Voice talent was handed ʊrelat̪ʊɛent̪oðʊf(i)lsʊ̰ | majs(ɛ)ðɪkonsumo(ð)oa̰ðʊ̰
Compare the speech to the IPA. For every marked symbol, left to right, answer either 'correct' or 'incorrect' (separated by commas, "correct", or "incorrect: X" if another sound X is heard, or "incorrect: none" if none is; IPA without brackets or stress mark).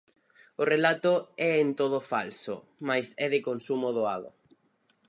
incorrect: a, correct, correct